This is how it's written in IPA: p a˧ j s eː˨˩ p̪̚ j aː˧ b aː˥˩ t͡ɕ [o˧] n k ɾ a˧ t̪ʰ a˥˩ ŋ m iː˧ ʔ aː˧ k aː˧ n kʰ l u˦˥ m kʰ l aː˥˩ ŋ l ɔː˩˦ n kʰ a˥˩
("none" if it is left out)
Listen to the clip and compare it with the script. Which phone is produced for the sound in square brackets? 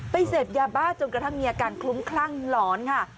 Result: o˧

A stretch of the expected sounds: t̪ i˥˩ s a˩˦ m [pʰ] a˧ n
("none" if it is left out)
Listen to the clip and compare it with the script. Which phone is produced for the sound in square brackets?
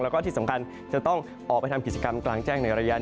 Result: kʰ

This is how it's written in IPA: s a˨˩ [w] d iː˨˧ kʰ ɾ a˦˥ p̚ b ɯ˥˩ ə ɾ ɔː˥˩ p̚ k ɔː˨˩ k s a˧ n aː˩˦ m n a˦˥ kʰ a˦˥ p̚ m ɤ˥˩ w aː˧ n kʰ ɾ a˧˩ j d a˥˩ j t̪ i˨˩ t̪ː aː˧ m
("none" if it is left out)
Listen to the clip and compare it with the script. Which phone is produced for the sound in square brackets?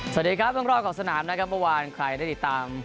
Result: none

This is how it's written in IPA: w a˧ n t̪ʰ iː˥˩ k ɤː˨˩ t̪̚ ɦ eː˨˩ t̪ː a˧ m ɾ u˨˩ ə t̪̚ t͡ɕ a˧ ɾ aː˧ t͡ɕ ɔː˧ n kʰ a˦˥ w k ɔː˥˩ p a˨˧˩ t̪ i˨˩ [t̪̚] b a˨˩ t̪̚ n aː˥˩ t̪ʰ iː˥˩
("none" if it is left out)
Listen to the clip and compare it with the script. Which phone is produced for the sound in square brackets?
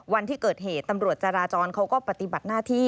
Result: none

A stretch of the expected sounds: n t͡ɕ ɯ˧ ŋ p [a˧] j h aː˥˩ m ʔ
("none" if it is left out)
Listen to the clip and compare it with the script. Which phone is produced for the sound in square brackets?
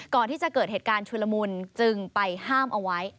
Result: a˧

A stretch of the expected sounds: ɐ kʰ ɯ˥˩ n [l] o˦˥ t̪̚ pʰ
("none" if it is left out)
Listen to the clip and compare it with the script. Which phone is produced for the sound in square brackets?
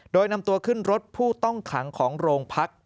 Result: ɾ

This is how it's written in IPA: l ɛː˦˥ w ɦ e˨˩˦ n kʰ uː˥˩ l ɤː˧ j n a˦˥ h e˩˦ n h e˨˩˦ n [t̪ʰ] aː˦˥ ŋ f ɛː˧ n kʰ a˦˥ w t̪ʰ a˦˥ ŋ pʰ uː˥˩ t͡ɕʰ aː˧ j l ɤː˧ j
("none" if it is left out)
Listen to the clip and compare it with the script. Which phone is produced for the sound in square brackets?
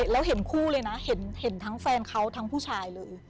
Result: t̪ʰ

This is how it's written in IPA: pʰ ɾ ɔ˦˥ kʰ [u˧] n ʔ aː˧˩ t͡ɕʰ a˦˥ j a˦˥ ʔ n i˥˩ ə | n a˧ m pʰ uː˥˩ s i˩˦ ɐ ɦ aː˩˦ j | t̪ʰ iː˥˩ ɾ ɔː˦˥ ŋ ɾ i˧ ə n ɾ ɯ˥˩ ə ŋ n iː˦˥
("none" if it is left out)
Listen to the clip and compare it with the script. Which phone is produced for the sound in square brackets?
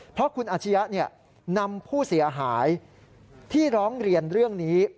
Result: u˧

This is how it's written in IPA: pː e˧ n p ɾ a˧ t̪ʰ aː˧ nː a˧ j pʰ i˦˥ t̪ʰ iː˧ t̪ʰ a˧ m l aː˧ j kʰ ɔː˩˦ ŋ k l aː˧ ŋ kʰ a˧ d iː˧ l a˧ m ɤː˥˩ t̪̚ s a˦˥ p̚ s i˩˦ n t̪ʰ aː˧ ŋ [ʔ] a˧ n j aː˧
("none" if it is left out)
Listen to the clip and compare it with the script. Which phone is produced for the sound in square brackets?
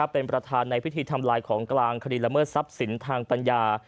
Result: p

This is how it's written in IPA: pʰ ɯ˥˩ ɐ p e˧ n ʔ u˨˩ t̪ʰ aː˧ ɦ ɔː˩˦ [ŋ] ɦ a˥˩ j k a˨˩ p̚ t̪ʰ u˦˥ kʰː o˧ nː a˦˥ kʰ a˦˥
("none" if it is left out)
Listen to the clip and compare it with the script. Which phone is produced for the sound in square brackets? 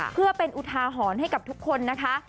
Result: n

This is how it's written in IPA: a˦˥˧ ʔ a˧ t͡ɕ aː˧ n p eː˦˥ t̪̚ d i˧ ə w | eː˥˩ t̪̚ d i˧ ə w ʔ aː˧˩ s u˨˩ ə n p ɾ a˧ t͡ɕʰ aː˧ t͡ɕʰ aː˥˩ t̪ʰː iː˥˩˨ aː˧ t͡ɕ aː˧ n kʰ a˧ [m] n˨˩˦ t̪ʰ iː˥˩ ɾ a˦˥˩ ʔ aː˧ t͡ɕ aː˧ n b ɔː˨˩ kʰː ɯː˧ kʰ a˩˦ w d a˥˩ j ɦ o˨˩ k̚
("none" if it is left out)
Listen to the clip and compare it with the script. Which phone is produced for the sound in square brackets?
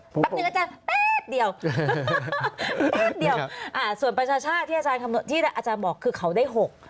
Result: m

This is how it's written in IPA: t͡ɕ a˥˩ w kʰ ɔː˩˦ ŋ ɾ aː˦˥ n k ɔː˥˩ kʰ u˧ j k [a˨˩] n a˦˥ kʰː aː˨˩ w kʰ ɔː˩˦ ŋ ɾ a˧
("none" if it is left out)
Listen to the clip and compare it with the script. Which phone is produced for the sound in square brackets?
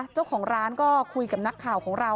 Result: a˨˩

